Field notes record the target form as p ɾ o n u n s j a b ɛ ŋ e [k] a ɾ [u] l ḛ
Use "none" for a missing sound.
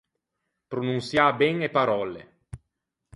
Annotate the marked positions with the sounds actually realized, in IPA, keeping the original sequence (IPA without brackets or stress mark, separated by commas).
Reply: p, ɔ